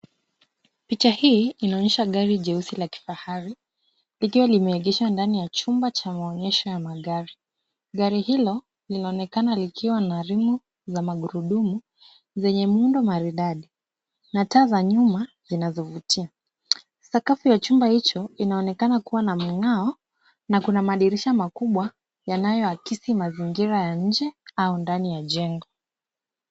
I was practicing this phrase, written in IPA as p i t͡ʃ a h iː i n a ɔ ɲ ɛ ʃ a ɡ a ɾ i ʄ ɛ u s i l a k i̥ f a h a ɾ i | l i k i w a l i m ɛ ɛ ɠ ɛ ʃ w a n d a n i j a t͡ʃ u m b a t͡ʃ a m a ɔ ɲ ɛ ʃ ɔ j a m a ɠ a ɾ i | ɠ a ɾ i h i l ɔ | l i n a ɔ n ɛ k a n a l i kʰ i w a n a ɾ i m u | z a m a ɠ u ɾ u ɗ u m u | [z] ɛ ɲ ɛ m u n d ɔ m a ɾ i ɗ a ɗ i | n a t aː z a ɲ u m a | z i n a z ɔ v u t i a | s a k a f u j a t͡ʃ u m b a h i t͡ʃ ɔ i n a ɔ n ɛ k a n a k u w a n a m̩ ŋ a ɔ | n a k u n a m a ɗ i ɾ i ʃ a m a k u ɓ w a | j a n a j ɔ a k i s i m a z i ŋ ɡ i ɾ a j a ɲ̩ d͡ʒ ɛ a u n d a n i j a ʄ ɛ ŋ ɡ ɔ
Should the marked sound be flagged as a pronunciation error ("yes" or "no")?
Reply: no